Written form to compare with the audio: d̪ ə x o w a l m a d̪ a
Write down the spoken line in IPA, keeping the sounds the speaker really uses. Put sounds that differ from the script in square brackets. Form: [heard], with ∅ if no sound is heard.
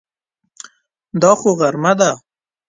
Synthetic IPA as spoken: d̪ [ɑ] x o [ɣ] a [ɾ] m a d̪ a